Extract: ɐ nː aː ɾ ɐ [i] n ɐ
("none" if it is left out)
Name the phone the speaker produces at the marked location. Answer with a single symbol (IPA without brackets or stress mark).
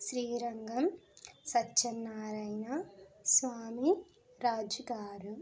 j